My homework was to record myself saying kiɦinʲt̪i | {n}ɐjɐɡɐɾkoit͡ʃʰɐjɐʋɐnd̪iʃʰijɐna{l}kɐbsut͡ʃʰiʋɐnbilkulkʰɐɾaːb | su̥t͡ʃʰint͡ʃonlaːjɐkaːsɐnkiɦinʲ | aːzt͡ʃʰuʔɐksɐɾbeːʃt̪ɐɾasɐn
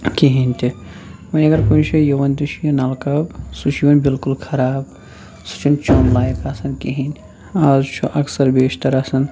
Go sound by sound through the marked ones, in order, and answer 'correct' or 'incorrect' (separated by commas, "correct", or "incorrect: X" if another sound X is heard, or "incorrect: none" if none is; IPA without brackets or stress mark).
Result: incorrect: m, correct